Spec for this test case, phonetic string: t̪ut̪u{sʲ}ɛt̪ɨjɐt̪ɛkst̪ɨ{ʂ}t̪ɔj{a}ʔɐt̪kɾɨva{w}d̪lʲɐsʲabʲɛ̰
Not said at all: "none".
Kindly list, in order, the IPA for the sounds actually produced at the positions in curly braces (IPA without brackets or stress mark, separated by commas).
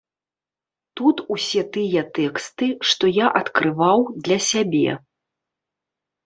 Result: sʲ, ʂ, a, w